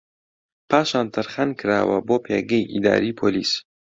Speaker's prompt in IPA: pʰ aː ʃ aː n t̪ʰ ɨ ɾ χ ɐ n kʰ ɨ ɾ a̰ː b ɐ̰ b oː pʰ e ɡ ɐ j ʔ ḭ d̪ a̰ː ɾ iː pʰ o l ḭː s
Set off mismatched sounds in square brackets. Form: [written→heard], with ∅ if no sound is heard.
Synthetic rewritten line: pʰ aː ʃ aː n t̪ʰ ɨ ɾ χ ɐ n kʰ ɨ ɾ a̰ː [b→w] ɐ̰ b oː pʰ e ɡ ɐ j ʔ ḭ d̪ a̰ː ɾ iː pʰ o l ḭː s